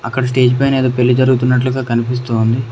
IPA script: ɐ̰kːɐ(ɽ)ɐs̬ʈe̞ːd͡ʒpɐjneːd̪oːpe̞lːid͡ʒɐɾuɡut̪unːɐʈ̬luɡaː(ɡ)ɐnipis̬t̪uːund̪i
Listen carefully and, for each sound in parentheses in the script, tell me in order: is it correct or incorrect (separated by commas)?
correct, incorrect